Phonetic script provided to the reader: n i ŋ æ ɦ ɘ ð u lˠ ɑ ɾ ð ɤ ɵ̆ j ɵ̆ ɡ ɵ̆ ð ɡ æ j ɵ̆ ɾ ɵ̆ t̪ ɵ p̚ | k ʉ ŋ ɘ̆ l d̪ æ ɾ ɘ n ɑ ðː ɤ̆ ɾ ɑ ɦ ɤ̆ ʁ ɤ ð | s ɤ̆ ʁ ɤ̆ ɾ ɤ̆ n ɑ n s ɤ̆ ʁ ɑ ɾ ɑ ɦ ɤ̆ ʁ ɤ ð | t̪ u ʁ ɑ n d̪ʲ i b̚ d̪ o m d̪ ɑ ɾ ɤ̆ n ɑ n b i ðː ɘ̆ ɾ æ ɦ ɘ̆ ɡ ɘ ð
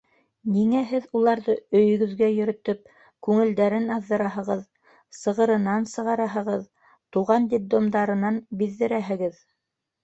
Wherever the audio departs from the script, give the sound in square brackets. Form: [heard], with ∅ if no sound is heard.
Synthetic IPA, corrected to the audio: n i ŋ æ ɦ ɘ ð u lˠ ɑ ɾ ð ɤ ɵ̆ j ɵ̆ ɡ ɵ̆ ð ɡ æ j ɵ̆ ɾ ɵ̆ t̪ ɵ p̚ | k ʉ ŋ ɘ̆ l d̪ æ ɾ ɘ n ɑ ðː ɤ̆ ɾ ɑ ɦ ɤ̆ ʁ ɤ ð | s ɤ̆ ʁ ɤ̆ ɾ ɤ̆ n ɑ n s ɤ̆ ʁ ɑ ɾ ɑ ɦ ɤ̆ ʁ ɤ ð | t̪ u ʁ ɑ n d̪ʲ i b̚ d̪ o m d̪ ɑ ɾ ɤ̆ n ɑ n b i ðː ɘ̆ ɾ æ ɦ ɘ̆ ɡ ɘ ð